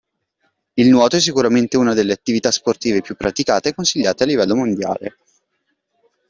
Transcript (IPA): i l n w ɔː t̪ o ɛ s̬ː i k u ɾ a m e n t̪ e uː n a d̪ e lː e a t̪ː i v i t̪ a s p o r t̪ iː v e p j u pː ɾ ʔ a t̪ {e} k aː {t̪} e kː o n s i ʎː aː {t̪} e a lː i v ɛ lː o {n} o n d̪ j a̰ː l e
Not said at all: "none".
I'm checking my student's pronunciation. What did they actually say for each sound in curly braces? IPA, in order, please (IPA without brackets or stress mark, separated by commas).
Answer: i, t̪, t̪, m